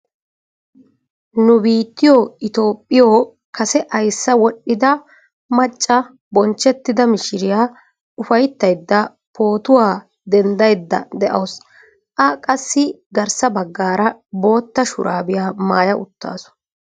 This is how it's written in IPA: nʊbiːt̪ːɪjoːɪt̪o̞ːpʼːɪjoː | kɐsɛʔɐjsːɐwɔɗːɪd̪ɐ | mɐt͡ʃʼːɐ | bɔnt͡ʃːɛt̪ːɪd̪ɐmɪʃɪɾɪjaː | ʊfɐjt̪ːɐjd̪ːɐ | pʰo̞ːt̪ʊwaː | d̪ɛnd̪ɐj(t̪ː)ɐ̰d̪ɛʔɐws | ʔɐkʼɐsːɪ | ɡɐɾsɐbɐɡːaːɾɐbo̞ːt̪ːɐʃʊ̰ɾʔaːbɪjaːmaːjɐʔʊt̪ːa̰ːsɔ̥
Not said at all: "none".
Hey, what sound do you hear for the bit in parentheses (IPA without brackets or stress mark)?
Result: d̪ː